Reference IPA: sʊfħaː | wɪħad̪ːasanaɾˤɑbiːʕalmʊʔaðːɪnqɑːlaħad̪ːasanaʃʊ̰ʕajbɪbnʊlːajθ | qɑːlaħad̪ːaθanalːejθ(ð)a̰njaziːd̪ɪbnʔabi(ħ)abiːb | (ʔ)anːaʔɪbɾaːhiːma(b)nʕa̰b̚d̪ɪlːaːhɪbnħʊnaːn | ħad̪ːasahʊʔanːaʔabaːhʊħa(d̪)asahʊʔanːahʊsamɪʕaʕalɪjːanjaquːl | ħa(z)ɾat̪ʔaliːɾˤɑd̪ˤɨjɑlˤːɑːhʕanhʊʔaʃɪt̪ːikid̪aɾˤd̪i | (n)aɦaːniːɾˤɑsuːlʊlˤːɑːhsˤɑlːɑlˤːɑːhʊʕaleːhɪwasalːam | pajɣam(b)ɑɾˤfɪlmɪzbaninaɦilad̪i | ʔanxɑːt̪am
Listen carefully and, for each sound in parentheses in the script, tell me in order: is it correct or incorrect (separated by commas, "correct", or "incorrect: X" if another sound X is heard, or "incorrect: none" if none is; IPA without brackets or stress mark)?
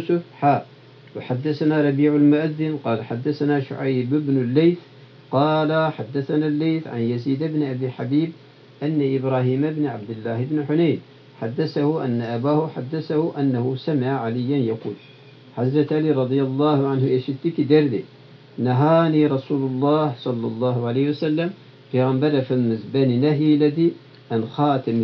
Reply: incorrect: ʕ, correct, correct, correct, incorrect: d̪ː, correct, correct, correct